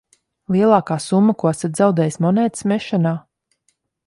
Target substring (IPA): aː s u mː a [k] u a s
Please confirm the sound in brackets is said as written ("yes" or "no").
yes